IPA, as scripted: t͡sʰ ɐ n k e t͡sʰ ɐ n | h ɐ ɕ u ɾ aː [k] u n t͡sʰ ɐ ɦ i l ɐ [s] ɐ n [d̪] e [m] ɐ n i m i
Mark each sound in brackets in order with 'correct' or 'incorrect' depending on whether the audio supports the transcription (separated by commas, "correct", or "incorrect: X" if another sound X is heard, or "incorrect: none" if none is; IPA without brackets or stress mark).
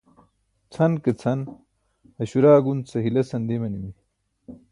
incorrect: ɡ, correct, correct, correct